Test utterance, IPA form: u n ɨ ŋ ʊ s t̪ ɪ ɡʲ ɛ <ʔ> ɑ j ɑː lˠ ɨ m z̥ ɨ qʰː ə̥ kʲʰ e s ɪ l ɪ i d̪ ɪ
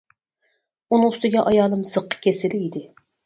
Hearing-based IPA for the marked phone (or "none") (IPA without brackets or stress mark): ʔ